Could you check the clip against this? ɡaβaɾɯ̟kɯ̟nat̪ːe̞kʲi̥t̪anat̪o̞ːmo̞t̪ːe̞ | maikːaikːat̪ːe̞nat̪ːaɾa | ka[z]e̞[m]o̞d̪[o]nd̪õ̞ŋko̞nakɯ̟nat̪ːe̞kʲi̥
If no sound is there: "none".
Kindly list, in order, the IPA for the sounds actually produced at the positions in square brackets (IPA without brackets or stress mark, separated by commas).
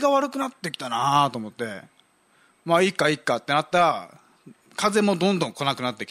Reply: z, m, õ